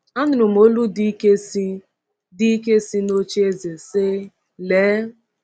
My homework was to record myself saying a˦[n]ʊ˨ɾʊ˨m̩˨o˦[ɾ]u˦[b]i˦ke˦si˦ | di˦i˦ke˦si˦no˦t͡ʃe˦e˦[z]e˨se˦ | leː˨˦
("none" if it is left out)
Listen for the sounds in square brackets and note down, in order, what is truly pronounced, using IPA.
n, l, d, z

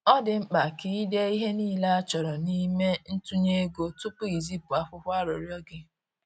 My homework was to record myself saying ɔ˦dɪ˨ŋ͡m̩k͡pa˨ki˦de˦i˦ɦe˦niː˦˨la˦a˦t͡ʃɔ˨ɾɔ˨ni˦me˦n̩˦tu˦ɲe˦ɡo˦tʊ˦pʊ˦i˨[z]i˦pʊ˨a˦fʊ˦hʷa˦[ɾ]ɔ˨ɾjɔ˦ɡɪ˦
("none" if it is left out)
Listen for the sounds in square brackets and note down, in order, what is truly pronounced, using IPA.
z, ɾ

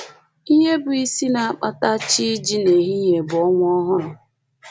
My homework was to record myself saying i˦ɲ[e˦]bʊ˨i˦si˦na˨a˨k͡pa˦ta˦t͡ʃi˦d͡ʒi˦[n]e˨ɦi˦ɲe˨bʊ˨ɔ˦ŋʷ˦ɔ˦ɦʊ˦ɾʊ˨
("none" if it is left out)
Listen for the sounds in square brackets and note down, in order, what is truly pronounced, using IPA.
e˦, n

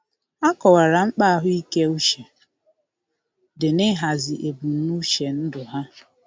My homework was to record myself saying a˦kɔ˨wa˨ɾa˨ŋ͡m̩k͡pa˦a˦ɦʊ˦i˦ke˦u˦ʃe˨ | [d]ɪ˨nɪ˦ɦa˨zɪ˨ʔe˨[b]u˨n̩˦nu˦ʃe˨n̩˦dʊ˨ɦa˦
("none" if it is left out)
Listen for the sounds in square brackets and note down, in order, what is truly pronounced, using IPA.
d, b

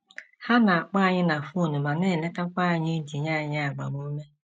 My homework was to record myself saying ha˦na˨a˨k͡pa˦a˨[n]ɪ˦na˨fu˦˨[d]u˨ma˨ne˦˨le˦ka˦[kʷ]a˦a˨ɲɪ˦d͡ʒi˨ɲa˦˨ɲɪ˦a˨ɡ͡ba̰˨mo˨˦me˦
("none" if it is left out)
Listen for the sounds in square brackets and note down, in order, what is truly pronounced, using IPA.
ɲ, n, kʷ

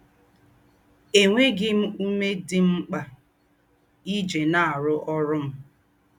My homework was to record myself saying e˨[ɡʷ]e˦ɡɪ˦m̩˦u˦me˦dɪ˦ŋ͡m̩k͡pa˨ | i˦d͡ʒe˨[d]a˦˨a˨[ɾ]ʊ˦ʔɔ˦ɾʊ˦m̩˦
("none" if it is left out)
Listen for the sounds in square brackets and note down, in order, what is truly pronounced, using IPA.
ŋʷ, n, ɾ

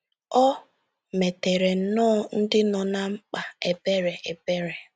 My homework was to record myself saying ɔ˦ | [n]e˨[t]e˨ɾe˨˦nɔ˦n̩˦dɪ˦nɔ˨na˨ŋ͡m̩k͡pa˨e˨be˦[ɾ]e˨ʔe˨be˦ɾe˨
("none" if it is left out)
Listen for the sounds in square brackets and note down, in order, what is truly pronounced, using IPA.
m, t, ɾ

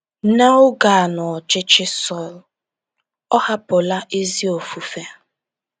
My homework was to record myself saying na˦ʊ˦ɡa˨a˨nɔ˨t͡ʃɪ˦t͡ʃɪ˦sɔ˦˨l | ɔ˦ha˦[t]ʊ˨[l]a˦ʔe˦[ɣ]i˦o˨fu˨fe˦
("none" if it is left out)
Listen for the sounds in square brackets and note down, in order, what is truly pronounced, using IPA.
p, l, z

